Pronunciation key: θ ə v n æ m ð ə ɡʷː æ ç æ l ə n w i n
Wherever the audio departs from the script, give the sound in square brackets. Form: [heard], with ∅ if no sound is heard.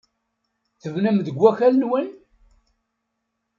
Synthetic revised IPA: θ ə v n æ m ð ə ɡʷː æ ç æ l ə n w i n